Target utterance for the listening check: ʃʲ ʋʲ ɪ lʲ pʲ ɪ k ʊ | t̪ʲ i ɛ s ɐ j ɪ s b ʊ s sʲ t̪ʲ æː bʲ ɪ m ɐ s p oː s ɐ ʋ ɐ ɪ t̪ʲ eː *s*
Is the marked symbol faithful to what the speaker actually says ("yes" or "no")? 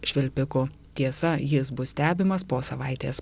yes